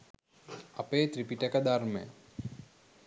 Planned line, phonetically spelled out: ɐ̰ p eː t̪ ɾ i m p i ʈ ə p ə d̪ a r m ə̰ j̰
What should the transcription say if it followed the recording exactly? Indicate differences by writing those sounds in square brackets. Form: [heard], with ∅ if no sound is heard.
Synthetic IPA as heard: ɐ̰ p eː t̪ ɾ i [∅] p i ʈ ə [k] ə d̪ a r m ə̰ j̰